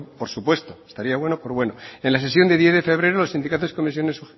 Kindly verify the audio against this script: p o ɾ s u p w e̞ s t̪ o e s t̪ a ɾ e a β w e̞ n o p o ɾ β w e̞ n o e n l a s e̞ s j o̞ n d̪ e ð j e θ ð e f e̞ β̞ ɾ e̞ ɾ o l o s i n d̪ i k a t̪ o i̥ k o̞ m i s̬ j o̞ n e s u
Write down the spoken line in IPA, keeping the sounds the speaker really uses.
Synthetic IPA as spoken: p o ɾ s u p w e̞ s t̪ o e s t̪ a ɾ i a β w e̞ n o p o ɾ β w e̞ n o e n l a s e̞ s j o̞ n d̪ e ð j e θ ð e f e̞ β̞ ɾ e̞ ɾ o l o s i n d̪ i k a t̪ o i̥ k o̞ m i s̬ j o̞ n e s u